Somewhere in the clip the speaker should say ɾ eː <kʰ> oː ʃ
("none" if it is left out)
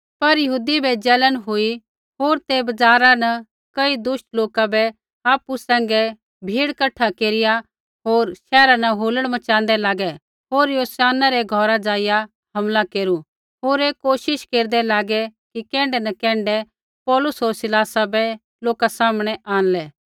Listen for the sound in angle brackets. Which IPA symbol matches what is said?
k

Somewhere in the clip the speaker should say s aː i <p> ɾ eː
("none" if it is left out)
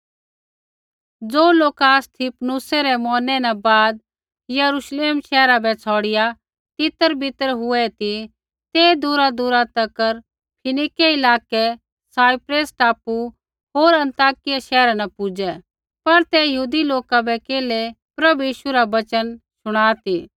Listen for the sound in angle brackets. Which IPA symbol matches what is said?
p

